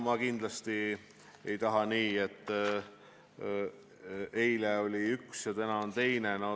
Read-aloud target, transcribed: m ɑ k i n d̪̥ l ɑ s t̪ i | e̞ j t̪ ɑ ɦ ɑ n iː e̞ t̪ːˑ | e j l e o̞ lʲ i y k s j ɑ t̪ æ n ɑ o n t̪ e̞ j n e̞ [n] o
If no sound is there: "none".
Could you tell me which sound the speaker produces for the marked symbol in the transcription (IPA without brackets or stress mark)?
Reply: n